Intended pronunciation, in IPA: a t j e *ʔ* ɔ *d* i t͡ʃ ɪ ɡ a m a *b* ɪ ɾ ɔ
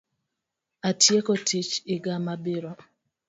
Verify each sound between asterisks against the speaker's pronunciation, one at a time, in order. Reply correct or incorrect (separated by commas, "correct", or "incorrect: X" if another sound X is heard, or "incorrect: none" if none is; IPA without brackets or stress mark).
incorrect: k, incorrect: t, correct